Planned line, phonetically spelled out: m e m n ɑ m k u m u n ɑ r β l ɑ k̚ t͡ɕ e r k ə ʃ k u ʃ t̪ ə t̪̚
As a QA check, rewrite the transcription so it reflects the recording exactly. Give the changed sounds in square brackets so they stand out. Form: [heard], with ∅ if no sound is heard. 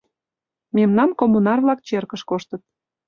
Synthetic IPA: m e m n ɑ m k [o] m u n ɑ r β l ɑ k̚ t͡ɕ e r k ə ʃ k [o] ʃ t̪ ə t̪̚